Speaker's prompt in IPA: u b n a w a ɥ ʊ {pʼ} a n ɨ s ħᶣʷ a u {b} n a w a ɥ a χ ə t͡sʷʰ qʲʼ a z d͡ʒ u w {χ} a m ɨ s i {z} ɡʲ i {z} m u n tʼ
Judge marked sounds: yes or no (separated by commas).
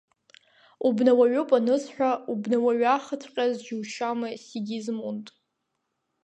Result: yes, yes, no, no, yes